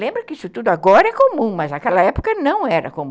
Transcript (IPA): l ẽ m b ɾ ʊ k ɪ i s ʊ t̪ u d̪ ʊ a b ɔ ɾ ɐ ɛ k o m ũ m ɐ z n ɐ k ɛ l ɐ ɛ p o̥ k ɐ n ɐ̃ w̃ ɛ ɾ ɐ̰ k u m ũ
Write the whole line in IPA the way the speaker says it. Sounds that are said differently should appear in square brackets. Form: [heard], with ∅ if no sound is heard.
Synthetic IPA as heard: l ẽ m b ɾ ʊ k ɪ i s ʊ t̪ u d̪ ʊ a [ɡ] ɔ ɾ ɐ ɛ k o m ũ m ɐ z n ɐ k ɛ l ɐ ɛ p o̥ k ɐ n ɐ̃ w̃ ɛ ɾ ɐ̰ k [o] m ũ